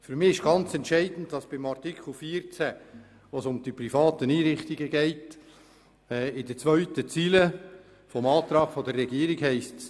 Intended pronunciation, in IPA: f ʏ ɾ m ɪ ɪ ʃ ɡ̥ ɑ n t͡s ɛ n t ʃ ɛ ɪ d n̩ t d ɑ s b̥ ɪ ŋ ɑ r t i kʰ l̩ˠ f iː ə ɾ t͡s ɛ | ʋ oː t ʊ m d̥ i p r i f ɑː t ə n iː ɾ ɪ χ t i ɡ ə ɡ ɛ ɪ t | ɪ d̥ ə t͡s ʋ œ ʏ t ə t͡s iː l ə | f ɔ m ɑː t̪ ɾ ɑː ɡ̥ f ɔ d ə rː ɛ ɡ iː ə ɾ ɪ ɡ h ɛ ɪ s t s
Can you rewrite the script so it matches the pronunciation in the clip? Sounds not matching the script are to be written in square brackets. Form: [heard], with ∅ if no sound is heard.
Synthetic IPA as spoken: f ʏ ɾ m ɪ ɪ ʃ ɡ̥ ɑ n t͡s ɛ n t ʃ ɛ ɪ d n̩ t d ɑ s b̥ ɪ [m] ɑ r t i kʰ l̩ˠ f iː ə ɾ t͡s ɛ | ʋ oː [s] ʊ m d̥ i p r i f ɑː t ə n iː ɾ ɪ χ t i ɡ ə ɡ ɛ ɪ t | ɪ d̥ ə t͡s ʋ œ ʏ t ə t͡s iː l ə | f ɔ m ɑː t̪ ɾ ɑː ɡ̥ f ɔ d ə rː ɛ ɡ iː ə ɾ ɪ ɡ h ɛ ɪ s t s